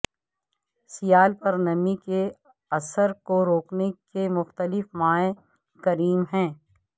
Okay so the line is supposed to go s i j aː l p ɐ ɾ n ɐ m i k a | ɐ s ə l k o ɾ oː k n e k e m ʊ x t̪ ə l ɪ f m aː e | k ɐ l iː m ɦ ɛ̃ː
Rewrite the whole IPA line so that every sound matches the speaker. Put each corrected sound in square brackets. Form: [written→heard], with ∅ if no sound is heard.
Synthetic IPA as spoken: s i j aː l p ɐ ɾ n ɐ m i k [a→e] | ɐ s ə [l→ɾ] k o ɾ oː k n e k e m ʊ x t̪ ə l ɪ f m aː e | k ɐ [l→ɾ] iː m ɦ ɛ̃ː